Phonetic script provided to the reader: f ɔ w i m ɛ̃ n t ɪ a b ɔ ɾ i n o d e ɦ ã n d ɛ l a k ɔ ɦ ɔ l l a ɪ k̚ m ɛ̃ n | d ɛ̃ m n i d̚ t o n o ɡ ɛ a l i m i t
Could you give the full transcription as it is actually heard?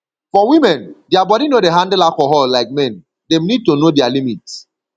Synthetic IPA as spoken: f ɔ w i m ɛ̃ n d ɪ a b ɔ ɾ i n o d e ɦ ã n d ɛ l a k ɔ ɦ ɔ l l a ɪ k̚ m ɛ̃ n | d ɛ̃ m n i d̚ t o n o d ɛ a l i m i t

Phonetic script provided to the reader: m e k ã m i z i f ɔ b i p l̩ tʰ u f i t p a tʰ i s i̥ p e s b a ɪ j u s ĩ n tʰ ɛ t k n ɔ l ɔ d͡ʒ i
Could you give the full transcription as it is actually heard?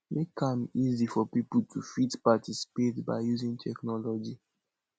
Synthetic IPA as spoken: m e k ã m i z i f ɔ p i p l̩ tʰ u f i t p a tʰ i s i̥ p e t b a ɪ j u z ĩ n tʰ ɛ k n ɔ l ɔ d͡ʒ i

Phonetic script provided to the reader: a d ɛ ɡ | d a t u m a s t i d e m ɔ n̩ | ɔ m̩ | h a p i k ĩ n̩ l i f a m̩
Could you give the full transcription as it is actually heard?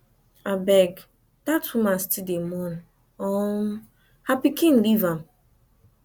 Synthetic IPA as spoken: a b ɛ ɡ | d a t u m a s t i d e m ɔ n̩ | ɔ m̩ | h a p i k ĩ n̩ l i v a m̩

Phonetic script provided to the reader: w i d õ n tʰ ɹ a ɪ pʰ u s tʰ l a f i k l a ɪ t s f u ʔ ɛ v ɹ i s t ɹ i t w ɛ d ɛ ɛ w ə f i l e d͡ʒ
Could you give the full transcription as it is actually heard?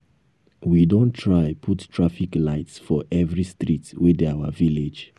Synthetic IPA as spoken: w i d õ n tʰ ɹ a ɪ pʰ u t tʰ ɹ a f i k l a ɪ t s f ɔ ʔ ɛ v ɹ i s t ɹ i t w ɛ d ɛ a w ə v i l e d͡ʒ

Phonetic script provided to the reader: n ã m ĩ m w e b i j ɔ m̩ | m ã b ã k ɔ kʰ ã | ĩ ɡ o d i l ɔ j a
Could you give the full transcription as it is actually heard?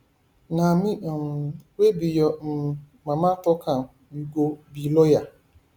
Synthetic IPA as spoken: n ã m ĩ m w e b i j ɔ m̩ | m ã m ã t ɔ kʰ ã | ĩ ɡ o b i l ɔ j a

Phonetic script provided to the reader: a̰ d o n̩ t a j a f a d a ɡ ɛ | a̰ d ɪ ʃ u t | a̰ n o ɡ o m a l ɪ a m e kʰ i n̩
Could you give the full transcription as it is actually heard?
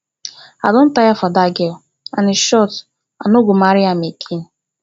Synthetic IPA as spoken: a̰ d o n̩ t a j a f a d a ɡ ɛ | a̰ n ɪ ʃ ɔ t | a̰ n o ɡ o m a ɾ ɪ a m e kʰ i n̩

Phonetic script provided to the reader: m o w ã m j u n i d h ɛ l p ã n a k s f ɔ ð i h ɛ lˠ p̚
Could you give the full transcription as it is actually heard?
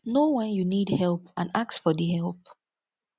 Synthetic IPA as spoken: n o w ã n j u n i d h ɛ l p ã n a k s f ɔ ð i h ɛ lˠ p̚

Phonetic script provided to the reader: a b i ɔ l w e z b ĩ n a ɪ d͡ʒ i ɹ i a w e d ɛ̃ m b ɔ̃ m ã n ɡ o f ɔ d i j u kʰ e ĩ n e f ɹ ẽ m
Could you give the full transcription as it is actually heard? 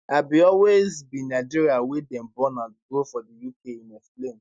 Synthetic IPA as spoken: a b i ɔ l w e z b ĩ n a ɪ d͡ʒ i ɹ i a w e d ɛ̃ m b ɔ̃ n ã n ɡ o f ɔ d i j u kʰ e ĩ n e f l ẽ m

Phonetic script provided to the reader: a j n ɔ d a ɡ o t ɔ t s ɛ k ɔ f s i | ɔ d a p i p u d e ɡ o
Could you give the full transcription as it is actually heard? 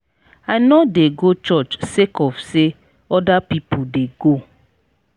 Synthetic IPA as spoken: a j n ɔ d e ɡ o t͡ʃ ɔ t͡ʃ s e k ɔ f s e | ɔ d a p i p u d e ɡ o

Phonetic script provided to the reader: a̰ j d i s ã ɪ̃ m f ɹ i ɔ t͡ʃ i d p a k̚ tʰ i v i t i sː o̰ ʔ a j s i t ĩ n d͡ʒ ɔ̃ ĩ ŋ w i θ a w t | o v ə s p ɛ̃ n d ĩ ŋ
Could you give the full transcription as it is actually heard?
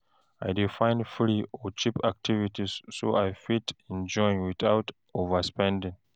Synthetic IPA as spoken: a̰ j d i f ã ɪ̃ n f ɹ i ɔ t͡ʃ i p a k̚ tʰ i v i t i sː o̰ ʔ a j f i t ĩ n d͡ʒ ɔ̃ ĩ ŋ w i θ a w t | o v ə s p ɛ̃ n d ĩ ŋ

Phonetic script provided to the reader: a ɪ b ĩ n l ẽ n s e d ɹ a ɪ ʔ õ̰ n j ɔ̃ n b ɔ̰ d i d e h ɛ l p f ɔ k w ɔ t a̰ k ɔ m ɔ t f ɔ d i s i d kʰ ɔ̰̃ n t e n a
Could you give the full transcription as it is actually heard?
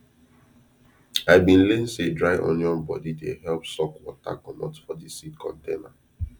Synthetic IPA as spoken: a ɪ b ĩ n l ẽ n s e d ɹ a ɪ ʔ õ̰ n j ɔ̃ n b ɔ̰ d i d e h ɛ l p s ɔ k w ɔ t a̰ k ɔ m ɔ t f ɔ d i s i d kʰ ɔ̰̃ n t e n a

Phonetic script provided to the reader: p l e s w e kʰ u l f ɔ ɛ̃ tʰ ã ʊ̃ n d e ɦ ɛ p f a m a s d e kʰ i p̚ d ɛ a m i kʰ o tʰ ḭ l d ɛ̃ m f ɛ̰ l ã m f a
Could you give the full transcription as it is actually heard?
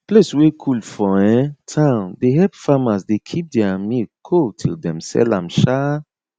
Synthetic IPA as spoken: p l e s w e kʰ u l f ɔ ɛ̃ tʰ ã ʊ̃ n d e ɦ ɛ p f a m a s d e kʰ i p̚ d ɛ a m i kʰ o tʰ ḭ l d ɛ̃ m s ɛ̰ l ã m ʃ a

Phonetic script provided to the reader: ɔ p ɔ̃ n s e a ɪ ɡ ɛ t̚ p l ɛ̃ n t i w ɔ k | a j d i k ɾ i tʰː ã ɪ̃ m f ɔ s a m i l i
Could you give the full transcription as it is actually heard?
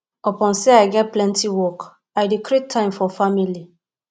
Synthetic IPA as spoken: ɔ p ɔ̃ n s e a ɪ ɡ ɛ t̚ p l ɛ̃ n t i w ɔ k | a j d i k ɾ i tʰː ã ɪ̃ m f ɔ f a m i l i

